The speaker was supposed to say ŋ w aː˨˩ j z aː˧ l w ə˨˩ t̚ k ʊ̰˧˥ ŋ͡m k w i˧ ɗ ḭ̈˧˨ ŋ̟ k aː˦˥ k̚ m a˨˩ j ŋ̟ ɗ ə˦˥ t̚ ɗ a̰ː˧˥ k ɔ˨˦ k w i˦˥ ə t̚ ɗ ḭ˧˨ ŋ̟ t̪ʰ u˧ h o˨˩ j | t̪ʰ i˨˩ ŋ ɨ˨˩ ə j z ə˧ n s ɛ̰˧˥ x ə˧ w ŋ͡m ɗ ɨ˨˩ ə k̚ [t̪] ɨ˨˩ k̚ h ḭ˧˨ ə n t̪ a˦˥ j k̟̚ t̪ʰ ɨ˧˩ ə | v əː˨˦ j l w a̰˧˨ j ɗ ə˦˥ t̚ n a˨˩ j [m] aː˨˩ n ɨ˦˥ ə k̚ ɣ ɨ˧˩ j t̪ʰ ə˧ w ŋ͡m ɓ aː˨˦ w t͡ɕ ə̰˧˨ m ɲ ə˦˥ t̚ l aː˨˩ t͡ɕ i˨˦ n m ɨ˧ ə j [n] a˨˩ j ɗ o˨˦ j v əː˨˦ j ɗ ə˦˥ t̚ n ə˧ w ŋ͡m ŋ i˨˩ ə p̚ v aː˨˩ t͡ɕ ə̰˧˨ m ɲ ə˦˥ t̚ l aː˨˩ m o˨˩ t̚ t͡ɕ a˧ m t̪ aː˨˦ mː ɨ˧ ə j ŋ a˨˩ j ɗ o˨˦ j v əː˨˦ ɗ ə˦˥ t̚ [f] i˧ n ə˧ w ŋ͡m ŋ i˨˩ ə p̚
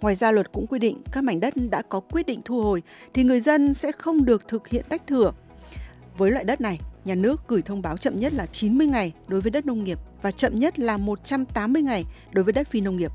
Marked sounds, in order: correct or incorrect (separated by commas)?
incorrect, incorrect, incorrect, correct